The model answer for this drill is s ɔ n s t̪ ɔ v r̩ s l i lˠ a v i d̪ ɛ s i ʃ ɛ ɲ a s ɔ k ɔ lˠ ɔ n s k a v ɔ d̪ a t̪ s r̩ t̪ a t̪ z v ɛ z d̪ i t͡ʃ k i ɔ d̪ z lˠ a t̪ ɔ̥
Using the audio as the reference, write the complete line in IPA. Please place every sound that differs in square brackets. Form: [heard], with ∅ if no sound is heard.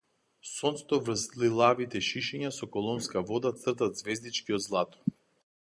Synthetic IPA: s ɔ n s t̪ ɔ v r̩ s l i lˠ a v i [t̪] ɛ [ʃ] i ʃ ɛ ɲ a s ɔ k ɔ lˠ ɔ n s k a v ɔ d̪ a t̪ s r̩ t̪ a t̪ z v ɛ z d̪ i t͡ʃ k i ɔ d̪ z lˠ a t̪ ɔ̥